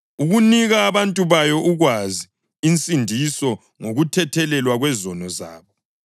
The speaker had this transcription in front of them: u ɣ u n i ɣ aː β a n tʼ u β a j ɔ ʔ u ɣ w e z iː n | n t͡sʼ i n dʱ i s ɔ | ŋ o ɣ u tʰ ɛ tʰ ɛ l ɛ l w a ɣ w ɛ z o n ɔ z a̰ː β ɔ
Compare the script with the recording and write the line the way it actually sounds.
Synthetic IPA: u ɣ u n i ɣ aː β a n tʼ u β a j ɔ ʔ u ɣ w a z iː | n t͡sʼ i n dʱ i s ɔ | ŋ o ɣ u tʰ ɛ tʰ ɛ l ɛ l w a ɣ w ɛ z ɔ n ɔ z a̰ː β ɔ